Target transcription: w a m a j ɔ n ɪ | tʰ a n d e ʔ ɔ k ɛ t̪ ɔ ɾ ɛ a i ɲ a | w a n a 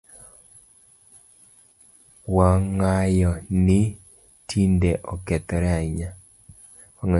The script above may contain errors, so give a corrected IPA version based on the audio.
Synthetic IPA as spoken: w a ŋ a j ɔ n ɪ | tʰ i n d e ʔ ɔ k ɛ t̪ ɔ ɾ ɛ a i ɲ a | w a ŋ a

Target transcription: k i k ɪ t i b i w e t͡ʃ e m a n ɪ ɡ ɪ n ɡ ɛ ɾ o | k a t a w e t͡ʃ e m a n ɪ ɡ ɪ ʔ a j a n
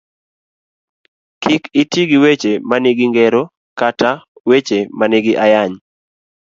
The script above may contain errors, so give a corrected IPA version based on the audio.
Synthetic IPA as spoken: k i k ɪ t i ɡ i w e t͡ʃ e m a n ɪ ɡ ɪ ŋ ɡ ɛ ɾ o | k a t a w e t͡ʃ e m a n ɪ ɡ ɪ ʔ a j a ɲ

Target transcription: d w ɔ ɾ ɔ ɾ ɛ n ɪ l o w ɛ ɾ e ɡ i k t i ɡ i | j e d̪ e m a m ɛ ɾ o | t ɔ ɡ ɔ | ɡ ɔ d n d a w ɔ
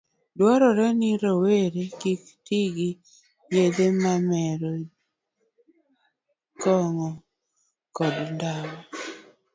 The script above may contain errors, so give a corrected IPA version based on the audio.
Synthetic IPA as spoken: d w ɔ ɾ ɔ ɾ ɛ n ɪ ɾ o w e ɾ e k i k t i ɡ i | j e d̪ e m a m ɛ ɾ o | k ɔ ŋ ɔ | k ɔ d n d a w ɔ

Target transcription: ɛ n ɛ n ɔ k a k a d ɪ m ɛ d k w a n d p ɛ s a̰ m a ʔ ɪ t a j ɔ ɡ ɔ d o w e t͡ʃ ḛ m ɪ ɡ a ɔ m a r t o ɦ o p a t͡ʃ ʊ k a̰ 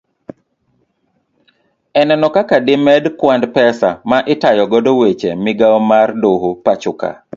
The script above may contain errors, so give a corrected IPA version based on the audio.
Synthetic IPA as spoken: ɛ n ɛ n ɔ k a k a d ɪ m ɛ d k w a n d p ɛ s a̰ m a ʔ ɪ t a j ɔ ɡ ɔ d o w e t͡ʃ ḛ m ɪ ɡ a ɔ m a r d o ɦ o p a t͡ʃ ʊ k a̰

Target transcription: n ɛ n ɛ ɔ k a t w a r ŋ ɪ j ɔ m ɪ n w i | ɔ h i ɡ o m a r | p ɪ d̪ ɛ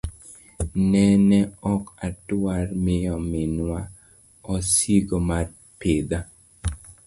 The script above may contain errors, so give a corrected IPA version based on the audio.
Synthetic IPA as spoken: n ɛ n ɛ ɔ k a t w a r m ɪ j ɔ m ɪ n w a | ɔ s i ɡ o m a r | p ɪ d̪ a

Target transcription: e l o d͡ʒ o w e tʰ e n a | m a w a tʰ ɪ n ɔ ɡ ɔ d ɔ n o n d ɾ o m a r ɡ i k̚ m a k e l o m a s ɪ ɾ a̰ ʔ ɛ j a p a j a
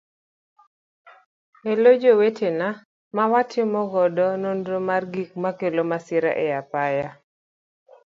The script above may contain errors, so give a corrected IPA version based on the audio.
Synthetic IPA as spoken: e l o d͡ʒ o w e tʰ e n a | m a w a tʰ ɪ m ɔ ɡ ɔ d ɔ n o n d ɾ o m a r ɡ i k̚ m a k e l o m a s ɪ ɾ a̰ ʔ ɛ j a p a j a

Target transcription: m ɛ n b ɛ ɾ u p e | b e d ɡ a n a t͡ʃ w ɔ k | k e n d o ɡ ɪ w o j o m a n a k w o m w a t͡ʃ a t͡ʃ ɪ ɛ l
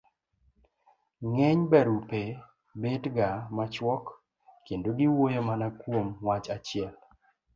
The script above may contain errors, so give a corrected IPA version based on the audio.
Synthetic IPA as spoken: ŋ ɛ ɲ b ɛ ɾ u p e | b e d ɡ a m a t͡ʃ w ɔ k | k e n d o ɡ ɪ w o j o m a n a k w o m w a t͡ʃ a t͡ʃ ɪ ɛ l

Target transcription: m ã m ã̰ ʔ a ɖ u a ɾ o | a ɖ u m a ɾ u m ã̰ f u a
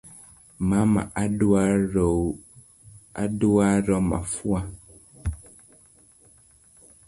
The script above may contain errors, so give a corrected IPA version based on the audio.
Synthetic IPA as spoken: m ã m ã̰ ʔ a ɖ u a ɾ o | a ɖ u a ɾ ɔ m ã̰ f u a

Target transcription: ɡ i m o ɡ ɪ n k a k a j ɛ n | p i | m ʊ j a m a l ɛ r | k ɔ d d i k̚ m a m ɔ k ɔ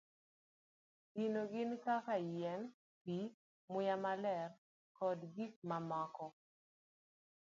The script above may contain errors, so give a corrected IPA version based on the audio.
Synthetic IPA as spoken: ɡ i n o ɡ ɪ n k a k a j ɛ n | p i | m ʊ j a m a l ɛ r | k ɔ d ɡ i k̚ m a m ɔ k ɔ

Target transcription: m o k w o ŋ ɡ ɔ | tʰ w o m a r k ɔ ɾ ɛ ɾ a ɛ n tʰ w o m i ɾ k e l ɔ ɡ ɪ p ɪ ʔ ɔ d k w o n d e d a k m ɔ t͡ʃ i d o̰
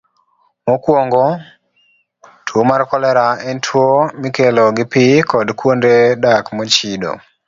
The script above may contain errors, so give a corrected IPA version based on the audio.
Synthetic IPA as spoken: m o k w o ŋ ɡ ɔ | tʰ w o m a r k ɔ l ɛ ɾ a ɛ n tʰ w o m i k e l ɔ ɡ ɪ p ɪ k ɔ d k w o n d e d a k m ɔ t͡ʃ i d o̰

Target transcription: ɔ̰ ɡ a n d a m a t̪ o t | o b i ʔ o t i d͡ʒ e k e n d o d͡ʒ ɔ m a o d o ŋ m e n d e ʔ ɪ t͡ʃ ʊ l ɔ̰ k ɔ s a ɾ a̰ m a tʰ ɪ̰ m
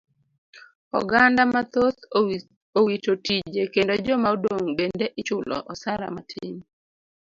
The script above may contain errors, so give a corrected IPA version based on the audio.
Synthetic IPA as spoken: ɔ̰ ɡ a n d a m a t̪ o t | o w i t o t i d͡ʒ e k e n d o d͡ʒ ɔ m a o d o ŋ b e n d e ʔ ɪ t͡ʃ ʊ l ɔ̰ ʔ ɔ s a ɾ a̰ m a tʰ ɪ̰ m

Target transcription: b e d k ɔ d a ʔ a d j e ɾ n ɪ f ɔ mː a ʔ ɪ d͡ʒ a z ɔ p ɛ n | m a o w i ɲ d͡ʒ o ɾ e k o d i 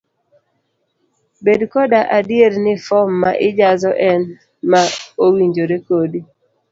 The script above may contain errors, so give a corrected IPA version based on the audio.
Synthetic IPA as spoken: b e d k ɔ d a ʔ a d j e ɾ n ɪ f ɔ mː a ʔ ɪ d͡ʒ a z ɔ ʔ ɛ n | m a o w i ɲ d͡ʒ o ɾ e k o d i

